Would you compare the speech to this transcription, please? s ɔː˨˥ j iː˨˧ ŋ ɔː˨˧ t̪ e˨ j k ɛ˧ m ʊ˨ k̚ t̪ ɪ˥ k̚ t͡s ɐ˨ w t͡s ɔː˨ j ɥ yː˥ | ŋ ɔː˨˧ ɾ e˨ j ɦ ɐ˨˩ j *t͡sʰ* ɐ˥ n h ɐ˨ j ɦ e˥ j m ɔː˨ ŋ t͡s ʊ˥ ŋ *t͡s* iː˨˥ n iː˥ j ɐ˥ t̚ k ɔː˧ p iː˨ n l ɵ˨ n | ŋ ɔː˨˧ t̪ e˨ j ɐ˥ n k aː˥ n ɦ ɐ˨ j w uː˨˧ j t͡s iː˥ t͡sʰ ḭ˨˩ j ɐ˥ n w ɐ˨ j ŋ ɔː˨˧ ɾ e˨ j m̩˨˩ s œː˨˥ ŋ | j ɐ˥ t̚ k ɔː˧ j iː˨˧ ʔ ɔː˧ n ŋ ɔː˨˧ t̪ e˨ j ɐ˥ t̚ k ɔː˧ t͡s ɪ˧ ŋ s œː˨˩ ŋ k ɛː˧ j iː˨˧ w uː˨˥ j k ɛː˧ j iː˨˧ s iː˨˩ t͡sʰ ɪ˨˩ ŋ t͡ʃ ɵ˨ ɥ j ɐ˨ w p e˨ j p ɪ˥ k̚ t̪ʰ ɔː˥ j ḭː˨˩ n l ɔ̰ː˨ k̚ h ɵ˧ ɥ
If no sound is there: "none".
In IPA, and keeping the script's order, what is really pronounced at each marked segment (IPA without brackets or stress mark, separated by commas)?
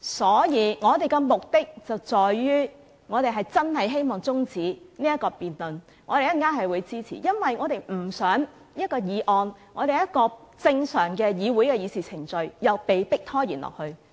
t͡s, t͡s